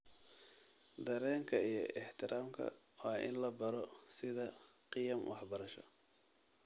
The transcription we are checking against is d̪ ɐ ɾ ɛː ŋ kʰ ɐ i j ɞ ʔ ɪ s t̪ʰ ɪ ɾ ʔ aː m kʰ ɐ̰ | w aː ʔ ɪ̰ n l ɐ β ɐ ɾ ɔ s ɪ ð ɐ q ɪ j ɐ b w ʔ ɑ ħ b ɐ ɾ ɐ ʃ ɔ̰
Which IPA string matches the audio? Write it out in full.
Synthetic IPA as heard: d̪ ɐ ɾ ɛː ŋ kʰ ɐ i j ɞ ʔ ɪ ħ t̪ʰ ɪ ɾ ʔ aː m kʰ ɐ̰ | w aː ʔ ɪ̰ n l ɐ b ɐ ɾ ɔ s ɪ ð ɐ q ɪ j ɐ m w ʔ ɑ ħ b ɐ ɾ ɐ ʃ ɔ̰